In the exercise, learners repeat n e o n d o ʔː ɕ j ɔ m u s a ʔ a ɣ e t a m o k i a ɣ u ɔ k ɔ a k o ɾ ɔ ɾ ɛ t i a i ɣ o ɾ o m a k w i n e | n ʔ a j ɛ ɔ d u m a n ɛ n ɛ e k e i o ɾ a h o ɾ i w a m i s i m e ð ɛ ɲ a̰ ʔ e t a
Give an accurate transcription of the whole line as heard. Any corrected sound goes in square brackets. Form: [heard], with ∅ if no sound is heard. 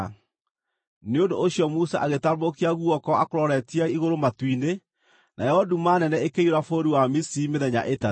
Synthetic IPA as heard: n e o n d o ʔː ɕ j ɔ m u s a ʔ a ɣ e t a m o k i a ɣ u ɔ k ɔ a k o ɾ ɔ ɾ ɛ t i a i ɣ o ɾ o m a [t] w i n e | n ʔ a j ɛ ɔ d u m a n ɛ n ɛ e k e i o ɾ a [f] o ɾ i w a m i s i m e ð ɛ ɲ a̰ ʔ e t a